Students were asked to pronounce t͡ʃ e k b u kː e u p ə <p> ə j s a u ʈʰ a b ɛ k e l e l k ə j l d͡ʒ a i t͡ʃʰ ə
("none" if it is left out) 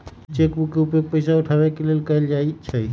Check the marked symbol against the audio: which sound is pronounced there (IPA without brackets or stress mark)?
p